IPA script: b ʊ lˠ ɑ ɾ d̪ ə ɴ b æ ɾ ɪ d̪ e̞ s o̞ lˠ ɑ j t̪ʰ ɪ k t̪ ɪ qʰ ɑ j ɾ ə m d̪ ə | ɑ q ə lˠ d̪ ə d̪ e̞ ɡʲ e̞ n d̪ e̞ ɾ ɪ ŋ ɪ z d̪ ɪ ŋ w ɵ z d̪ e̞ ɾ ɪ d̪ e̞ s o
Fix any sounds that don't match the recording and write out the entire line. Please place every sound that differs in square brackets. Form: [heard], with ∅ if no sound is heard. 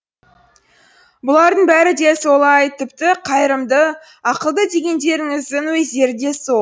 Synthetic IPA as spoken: b ʊ lˠ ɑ ɾ d̪ ə ɴ b æ ɾ ɪ d̪ e̞ s o̞ lˠ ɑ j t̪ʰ ɪ [p] t̪ ɪ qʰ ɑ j ɾ ə m d̪ ə | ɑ q ə lˠ d̪ ə d̪ e̞ ɡʲ e̞ n d̪ e̞ ɾ ɪ ŋ ɪ z d̪ ɪ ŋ w ɵ z d̪ e̞ ɾ ɪ d̪ e̞ s o